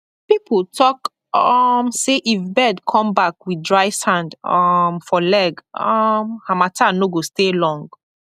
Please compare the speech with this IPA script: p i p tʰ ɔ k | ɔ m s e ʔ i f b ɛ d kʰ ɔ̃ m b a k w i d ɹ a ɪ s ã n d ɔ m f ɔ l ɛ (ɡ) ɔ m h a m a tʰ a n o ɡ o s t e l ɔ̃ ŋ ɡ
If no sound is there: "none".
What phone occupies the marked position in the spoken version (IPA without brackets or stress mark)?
ɡ